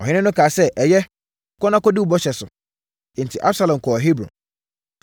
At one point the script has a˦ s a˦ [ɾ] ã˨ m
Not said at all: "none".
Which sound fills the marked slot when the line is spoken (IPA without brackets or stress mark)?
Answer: l